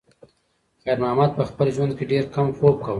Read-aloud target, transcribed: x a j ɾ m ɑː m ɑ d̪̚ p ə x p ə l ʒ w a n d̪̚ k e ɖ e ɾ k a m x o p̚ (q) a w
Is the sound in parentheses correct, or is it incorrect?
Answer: incorrect: k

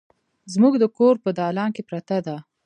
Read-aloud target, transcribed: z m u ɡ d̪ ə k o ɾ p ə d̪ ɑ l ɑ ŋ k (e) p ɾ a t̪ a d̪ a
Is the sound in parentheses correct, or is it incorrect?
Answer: correct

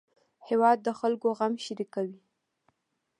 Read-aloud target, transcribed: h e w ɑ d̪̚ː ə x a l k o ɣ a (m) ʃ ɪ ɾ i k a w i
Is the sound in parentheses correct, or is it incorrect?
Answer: correct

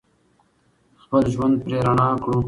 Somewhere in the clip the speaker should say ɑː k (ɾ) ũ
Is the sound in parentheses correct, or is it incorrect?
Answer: incorrect: ɽ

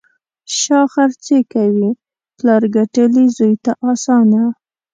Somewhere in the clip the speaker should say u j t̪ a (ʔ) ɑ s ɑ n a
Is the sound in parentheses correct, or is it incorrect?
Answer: correct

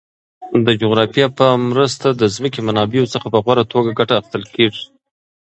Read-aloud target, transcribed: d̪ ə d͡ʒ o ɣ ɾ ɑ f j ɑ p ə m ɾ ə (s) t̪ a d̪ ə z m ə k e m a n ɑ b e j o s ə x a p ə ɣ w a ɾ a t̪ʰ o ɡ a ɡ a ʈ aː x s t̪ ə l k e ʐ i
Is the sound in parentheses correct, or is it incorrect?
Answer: correct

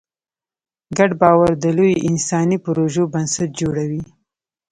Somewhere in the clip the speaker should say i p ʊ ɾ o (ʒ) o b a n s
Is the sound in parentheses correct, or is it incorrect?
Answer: correct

